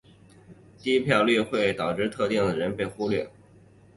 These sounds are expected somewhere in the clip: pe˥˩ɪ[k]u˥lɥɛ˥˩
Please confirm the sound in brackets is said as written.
no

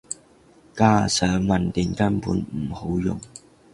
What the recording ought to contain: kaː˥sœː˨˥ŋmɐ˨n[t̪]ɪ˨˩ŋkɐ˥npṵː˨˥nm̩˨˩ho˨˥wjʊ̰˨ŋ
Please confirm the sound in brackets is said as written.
yes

